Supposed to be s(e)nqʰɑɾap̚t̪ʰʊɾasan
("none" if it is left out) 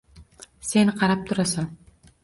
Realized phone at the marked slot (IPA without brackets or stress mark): e